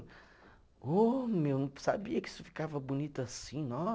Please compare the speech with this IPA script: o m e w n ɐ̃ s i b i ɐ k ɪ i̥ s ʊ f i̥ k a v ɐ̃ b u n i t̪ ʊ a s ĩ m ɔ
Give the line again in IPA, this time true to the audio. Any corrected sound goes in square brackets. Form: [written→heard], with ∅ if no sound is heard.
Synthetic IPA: o m e w n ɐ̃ s [i→a] b i ɐ k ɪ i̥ s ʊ f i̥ k a v [ɐ̃→ɐ] b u n i t̪ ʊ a s ĩ [m→n] ɔ